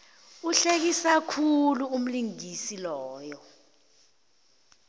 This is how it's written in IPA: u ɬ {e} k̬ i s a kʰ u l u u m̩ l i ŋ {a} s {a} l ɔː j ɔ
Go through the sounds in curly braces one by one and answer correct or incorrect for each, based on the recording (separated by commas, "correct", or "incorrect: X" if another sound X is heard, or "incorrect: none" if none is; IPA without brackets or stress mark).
correct, incorrect: i, incorrect: i